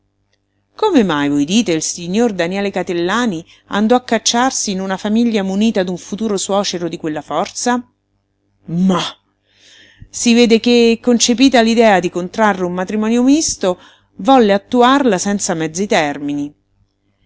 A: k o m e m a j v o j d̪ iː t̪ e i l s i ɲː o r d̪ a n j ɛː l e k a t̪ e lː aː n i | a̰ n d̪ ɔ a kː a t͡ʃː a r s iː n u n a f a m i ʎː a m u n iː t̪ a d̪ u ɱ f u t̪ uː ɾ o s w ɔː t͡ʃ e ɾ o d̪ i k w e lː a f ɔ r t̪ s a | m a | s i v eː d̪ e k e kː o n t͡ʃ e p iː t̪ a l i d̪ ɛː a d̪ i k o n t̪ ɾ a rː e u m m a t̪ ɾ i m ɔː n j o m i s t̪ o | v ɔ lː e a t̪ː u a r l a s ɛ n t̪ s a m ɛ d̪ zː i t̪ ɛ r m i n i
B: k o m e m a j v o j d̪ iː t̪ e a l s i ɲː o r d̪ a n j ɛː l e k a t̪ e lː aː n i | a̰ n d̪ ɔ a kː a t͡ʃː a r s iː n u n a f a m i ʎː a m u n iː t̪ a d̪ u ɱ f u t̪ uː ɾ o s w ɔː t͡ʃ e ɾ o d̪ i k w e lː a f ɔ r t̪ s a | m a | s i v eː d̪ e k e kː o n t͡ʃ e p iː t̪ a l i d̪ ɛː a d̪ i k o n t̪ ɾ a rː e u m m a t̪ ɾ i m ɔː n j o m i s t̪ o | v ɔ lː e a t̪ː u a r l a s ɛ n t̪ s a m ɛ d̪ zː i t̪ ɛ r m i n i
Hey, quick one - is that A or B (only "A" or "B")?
A